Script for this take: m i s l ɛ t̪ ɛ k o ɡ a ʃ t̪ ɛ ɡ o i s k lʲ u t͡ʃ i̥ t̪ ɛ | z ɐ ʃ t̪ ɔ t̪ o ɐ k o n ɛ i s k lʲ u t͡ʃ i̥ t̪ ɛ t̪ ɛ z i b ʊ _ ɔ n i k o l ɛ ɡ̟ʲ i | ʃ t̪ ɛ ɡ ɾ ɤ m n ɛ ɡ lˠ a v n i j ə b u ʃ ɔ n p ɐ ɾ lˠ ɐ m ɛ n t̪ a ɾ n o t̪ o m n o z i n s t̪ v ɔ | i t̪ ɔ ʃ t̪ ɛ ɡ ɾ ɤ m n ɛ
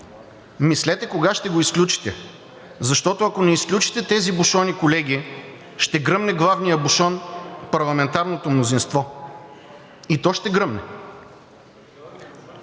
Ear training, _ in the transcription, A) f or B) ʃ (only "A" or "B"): B